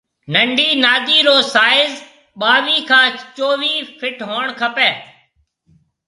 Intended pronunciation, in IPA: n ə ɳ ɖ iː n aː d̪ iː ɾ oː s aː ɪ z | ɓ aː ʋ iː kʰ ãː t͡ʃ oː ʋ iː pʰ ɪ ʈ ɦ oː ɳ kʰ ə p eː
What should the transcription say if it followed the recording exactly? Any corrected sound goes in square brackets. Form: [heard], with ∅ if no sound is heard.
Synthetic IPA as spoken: n ə ɳ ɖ iː n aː d̪ iː ɾ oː s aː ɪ z | ɓ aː ʋ iː kʰ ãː t͡ʃ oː ʋ iː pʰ ɪ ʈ ɦ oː ɳ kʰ ə p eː

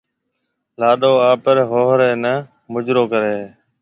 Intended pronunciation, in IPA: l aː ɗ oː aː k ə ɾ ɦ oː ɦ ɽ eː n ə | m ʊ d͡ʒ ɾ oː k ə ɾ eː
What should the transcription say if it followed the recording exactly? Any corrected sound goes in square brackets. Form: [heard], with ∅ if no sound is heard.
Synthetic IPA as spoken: l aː ɗ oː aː [p] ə ɾ ɦ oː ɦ [ɾ] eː n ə | m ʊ d͡ʒ ɾ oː k ə ɾ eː

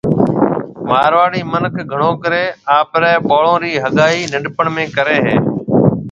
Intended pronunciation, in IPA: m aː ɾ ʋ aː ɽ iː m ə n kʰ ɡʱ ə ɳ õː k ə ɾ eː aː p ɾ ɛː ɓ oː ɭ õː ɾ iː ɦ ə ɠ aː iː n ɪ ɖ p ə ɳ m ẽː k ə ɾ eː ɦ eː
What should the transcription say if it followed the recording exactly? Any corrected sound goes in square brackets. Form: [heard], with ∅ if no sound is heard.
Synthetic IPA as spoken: m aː ɾ ʋ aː ɽ iː m ə n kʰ ɡʱ ə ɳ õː k ə ɾ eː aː p ɾ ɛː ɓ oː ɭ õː ɾ iː ɦ ə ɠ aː iː n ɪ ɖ p ə ɳ m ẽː k ə ɾ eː ɦ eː

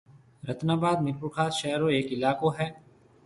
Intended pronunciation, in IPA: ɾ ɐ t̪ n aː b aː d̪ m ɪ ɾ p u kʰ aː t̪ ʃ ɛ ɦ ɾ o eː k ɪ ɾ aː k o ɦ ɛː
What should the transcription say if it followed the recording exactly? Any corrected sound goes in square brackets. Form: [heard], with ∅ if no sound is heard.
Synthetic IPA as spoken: ɾ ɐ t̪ n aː b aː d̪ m ɪ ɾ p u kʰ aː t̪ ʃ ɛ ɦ ɾ o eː k ɪ [l] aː k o ɦ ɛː

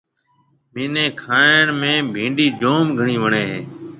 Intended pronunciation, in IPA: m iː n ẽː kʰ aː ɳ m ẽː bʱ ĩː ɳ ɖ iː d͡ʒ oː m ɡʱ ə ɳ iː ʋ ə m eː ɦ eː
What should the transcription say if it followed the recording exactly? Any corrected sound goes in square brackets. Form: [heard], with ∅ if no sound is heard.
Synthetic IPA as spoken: m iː n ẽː kʰ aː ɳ m ẽː bʱ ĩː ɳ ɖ iː d͡ʒ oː m ɡʱ ə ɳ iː ʋ ə [ɳ] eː ɦ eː

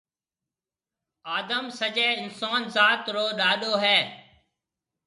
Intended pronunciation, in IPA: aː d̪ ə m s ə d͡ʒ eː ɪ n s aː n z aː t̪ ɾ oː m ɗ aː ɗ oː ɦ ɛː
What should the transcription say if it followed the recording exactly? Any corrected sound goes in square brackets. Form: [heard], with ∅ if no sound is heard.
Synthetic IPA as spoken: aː d̪ ə m s ə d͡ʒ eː ɪ n s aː n z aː t̪ ɾ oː [∅] ɗ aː ɗ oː ɦ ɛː

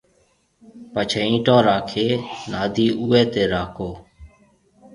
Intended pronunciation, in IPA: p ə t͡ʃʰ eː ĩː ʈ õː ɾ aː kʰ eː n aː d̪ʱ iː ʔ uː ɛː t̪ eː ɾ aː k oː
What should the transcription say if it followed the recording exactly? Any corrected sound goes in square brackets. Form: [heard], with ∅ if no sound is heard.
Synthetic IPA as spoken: p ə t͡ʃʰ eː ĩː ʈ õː ɾ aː kʰ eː n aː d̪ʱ iː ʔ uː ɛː t̪ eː ɾ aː k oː

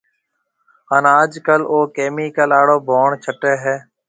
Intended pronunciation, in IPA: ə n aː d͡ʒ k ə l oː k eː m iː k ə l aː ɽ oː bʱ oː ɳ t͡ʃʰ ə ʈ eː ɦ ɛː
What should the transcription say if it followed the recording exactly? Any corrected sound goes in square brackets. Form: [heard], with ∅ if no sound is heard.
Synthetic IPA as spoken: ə n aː d͡ʒ k ə l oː k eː m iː k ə l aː ɽ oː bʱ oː ɳ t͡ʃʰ ə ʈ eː ɦ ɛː

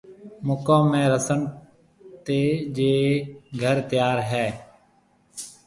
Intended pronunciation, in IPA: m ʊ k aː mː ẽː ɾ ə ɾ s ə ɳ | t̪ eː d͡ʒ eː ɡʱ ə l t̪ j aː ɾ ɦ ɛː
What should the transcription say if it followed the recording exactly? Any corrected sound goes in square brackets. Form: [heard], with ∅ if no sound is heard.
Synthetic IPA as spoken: m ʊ k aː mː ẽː ɾ ə [∅] s ə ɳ | t̪ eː d͡ʒ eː ɡʱ ə [ɾ] t̪ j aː ɾ ɦ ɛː

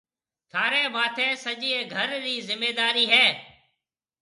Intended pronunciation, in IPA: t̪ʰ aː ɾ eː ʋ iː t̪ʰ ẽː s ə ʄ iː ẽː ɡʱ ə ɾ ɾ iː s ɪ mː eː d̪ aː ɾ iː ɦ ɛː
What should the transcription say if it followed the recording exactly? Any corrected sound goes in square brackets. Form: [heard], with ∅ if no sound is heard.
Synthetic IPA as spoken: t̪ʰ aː ɾ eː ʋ [aː] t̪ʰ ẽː s ə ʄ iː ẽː ɡʱ ə ɾ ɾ iː [z] ɪ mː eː d̪ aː ɾ iː ɦ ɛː

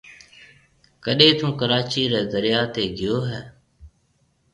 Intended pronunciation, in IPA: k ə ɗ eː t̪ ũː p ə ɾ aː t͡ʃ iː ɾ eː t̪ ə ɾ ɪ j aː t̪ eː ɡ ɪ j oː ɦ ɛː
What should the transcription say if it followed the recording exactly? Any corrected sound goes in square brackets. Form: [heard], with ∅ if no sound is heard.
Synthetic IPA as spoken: k ə ɗ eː t̪ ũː [k] ə ɾ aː t͡ʃ iː ɾ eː [d̪] ə ɾ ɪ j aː t̪ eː ɡ ɪ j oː ɦ ɛː

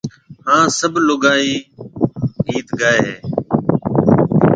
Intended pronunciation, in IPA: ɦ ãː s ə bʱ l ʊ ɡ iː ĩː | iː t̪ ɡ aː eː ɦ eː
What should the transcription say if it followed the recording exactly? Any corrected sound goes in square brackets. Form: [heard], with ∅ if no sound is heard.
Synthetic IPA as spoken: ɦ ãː s ə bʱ l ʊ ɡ [aː] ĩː | iː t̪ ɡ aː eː ɦ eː

